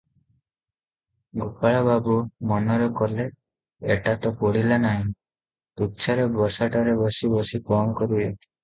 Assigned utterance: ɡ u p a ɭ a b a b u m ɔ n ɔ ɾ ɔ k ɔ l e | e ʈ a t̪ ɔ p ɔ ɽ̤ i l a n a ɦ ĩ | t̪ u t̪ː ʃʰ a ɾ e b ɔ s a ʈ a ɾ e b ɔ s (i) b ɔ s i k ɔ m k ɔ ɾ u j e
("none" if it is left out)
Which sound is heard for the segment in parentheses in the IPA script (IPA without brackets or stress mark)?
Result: i